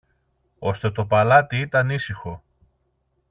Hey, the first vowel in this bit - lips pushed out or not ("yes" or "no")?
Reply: yes